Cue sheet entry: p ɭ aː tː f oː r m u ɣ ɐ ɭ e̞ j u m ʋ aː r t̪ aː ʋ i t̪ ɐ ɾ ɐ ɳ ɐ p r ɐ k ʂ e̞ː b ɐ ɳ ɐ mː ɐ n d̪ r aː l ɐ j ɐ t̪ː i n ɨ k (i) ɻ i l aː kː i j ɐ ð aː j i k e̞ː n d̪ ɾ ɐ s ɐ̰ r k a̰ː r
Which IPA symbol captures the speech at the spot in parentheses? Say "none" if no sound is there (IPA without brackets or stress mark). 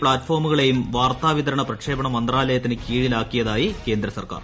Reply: iː